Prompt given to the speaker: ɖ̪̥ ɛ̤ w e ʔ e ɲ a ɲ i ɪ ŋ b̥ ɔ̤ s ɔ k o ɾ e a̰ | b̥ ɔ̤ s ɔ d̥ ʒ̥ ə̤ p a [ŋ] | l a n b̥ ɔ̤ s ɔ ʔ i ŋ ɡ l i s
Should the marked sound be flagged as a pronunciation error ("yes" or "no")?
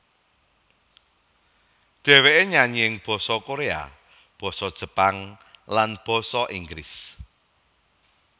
no